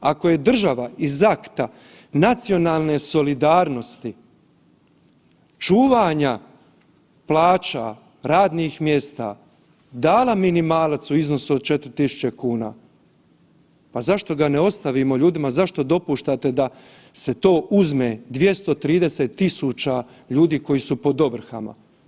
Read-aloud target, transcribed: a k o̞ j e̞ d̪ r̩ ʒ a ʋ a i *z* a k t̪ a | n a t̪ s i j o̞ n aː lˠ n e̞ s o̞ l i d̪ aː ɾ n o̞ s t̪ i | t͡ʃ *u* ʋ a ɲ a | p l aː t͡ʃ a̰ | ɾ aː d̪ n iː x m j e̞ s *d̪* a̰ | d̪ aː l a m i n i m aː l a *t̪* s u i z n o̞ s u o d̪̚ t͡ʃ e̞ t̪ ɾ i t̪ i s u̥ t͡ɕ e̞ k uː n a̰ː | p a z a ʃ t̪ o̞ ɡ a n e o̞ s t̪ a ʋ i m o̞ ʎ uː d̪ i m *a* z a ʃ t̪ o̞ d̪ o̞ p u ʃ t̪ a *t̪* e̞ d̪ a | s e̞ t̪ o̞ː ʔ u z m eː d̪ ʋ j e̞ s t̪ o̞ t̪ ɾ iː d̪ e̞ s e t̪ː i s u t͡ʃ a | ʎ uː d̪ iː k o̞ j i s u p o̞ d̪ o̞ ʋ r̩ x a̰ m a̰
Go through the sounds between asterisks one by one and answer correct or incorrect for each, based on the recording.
correct, incorrect, incorrect, correct, correct, correct

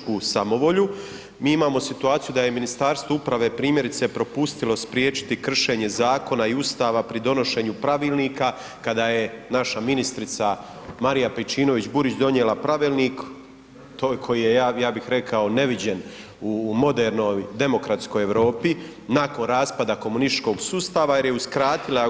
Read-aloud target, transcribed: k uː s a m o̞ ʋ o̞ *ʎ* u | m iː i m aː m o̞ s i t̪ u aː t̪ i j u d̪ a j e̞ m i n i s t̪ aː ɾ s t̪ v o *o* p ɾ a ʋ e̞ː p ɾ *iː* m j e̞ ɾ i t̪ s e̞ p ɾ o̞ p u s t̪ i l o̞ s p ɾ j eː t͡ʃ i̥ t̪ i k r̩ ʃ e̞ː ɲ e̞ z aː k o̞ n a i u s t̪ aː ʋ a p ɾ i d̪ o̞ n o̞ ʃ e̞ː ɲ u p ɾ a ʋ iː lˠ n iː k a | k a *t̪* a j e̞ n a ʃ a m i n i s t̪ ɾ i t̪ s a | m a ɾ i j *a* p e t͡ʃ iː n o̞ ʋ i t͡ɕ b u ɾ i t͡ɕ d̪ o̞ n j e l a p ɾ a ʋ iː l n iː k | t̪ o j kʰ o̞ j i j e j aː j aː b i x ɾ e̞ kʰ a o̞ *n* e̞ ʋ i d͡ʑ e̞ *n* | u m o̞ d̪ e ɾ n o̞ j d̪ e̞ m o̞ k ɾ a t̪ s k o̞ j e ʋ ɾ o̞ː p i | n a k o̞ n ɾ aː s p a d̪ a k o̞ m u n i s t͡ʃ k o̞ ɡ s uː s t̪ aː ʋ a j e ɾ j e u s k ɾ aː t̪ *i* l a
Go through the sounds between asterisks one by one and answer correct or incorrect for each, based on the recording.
correct, incorrect, correct, incorrect, correct, correct, correct, correct

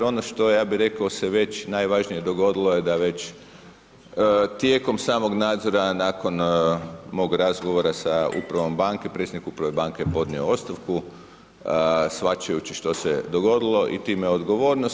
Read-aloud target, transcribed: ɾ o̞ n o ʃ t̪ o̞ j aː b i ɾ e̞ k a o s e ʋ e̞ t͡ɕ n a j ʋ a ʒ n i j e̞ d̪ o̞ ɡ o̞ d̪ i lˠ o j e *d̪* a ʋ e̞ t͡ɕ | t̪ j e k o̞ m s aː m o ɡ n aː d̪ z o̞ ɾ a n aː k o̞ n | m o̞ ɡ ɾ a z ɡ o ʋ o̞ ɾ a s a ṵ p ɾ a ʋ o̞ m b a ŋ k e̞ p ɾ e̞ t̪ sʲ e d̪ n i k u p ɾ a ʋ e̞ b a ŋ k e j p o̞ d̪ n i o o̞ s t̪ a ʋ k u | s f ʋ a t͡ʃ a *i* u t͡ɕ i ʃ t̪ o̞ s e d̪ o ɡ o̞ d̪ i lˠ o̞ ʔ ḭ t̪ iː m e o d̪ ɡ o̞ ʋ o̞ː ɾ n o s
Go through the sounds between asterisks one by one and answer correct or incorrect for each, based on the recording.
correct, incorrect

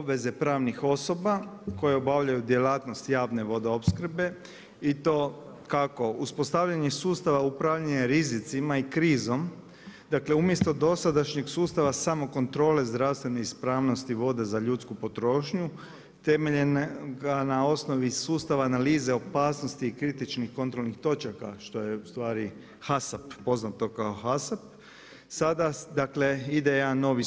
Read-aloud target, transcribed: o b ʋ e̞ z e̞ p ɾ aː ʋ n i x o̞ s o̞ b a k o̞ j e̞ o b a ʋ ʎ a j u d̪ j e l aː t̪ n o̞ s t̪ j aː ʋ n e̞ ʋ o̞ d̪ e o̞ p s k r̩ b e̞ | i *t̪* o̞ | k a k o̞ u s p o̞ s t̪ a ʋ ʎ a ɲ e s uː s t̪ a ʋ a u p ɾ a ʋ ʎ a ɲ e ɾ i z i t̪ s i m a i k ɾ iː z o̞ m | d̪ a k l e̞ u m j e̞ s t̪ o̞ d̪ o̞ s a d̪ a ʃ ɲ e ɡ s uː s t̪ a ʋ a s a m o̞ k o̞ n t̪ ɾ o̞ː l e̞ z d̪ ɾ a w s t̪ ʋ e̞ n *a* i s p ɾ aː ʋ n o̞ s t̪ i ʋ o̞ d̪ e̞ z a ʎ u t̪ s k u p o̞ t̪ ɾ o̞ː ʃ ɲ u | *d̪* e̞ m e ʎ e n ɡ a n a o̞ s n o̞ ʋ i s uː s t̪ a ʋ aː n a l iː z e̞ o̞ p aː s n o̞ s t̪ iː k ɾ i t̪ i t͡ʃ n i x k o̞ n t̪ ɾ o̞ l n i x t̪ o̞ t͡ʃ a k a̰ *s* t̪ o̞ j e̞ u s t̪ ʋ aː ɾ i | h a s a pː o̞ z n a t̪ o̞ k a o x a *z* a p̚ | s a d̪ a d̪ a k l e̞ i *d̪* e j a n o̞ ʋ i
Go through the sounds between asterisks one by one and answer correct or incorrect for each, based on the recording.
correct, incorrect, incorrect, incorrect, incorrect, correct

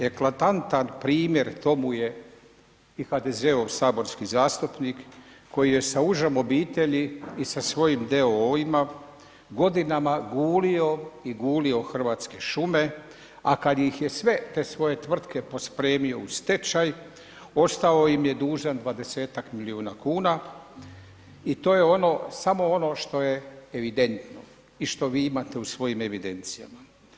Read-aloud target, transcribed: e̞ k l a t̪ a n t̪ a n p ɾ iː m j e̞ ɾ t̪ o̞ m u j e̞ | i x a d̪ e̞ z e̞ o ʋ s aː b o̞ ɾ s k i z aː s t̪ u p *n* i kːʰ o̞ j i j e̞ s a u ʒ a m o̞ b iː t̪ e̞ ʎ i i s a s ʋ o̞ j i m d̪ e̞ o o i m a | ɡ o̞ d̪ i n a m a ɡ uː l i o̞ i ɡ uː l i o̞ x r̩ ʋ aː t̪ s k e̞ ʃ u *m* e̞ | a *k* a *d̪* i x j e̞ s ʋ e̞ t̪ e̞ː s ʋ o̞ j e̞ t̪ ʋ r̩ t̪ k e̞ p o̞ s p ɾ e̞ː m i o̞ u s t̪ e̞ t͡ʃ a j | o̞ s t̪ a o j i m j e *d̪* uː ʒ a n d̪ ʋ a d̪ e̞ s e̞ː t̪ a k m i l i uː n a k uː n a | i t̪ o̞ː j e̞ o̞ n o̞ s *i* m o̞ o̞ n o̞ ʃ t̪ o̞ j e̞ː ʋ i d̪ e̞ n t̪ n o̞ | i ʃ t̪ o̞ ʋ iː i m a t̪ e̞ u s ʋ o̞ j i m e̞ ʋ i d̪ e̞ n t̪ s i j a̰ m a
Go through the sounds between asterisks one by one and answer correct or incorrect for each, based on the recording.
correct, correct, correct, correct, correct, incorrect

